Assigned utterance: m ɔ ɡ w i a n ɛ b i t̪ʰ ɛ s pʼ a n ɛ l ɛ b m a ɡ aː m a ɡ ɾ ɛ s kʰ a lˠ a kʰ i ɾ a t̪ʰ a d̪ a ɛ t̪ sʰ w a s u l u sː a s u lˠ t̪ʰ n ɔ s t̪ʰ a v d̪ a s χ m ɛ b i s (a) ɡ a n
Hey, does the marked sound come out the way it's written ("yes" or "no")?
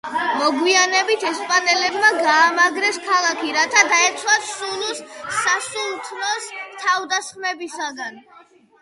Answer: yes